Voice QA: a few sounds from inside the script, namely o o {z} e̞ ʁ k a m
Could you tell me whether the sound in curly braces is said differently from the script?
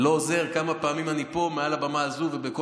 no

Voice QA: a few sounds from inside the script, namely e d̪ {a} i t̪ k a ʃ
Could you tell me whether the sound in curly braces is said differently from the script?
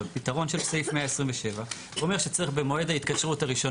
no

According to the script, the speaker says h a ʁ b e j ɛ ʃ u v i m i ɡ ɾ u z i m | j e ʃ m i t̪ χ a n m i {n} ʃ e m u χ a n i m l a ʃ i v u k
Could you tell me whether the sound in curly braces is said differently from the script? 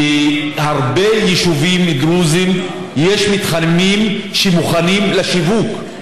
yes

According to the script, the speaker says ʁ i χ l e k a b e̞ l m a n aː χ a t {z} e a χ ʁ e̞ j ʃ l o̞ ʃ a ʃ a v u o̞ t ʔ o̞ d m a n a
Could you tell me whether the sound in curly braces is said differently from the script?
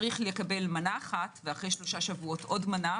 yes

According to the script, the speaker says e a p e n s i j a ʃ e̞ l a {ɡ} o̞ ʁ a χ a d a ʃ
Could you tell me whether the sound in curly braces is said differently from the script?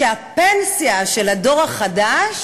yes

